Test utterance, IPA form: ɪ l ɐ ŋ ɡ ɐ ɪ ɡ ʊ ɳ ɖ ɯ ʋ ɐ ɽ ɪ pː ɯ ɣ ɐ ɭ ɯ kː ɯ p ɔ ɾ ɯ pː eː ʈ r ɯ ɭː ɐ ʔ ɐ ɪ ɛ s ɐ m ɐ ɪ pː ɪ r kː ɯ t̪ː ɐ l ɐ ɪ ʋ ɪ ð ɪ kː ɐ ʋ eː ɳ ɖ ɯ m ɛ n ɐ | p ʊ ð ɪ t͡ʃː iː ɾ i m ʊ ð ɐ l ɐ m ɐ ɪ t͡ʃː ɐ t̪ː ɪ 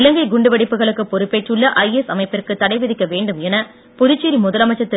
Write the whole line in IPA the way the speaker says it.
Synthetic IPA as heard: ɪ l ɐ ŋ ɡ ɐ ɪ ɡ ʊ ɳ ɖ ɯ ʋ ɐ ɽ ɪ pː ɯ ɣ ɐ ɭ ɯ kː ɯ p ɔ ɾ ɯ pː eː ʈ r ɯ ɭː ɐ ʔ ɐ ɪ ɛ s ɐ m ɐ ɪ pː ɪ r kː ɯ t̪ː ɐ ɽ ɐ ɪ ʋ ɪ ð ɪ kː ɐ ʋ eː ɳ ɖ ɯ m ɛ n ɐ | p ʊ ð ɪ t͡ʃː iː ɾ i m ʊ ð ɐ l ɐ m ɐ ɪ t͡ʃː ɐ t̪ː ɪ